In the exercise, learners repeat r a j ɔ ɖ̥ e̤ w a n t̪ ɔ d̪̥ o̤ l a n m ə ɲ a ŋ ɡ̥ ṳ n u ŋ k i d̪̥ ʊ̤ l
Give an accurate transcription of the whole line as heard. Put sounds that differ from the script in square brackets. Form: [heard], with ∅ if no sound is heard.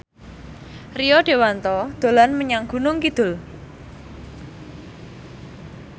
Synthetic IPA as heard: r [i] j ɔ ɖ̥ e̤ w a n t̪ ɔ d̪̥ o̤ l a n m ə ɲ a ŋ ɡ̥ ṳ n [ʊ] ŋ k i d̪̥ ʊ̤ l